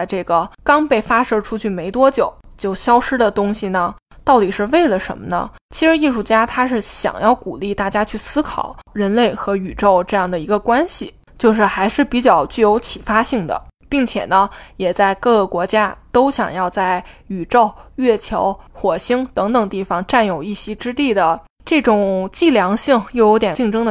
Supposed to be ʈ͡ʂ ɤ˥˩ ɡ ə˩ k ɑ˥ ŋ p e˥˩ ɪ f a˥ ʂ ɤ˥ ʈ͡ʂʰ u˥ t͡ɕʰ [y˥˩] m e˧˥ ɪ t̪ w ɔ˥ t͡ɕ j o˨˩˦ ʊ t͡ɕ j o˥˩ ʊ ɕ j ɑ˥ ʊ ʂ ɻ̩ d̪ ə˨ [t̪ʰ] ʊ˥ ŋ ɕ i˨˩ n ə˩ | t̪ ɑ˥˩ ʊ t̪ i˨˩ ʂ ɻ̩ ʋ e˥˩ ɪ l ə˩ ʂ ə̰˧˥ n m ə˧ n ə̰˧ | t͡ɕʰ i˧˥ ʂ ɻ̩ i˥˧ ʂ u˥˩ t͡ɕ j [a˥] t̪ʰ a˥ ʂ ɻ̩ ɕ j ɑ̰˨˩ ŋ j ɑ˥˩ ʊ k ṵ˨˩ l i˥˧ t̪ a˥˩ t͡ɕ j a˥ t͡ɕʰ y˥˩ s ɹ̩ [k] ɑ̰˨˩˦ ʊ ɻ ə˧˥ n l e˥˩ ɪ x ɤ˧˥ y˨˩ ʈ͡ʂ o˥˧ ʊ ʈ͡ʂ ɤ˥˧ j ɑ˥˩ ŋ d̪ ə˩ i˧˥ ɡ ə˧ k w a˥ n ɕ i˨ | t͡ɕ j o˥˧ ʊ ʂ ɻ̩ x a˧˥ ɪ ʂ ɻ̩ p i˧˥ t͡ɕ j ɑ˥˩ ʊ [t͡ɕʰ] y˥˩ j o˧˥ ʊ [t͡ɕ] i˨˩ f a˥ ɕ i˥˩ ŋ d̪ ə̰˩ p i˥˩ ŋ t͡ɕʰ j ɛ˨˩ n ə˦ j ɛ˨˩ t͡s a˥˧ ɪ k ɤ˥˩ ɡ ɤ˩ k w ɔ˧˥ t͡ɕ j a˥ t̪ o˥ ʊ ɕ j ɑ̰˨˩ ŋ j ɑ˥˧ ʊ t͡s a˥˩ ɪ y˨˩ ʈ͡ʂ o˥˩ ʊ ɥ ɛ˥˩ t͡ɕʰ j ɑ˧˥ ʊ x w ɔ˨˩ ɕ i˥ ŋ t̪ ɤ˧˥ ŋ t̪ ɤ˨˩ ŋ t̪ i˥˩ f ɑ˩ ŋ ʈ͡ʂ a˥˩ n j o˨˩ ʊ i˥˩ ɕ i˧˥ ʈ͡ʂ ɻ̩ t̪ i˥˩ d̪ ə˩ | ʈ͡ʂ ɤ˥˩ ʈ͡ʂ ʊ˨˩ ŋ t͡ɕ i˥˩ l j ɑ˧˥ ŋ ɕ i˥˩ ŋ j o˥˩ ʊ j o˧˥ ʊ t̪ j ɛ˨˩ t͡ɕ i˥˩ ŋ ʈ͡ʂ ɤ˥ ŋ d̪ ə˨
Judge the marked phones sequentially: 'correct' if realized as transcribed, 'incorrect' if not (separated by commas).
correct, incorrect, correct, incorrect, incorrect, incorrect